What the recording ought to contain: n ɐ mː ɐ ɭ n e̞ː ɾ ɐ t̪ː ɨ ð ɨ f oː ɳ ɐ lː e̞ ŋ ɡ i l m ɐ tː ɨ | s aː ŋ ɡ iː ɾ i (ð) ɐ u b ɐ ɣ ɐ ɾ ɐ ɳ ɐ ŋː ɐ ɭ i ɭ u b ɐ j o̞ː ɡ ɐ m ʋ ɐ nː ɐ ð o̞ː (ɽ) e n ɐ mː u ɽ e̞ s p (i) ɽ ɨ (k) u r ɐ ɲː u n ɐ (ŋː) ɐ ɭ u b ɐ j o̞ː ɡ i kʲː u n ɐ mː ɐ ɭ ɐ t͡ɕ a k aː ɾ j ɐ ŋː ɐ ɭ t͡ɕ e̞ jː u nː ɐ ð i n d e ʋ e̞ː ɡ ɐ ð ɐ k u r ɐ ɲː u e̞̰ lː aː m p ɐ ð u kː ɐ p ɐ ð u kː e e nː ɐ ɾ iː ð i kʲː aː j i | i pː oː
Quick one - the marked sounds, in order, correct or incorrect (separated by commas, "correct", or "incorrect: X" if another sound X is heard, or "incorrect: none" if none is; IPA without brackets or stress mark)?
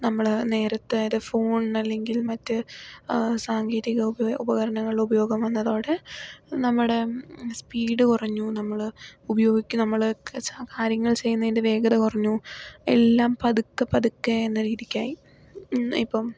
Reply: incorrect: ɣ, correct, incorrect: iː, correct, incorrect: mː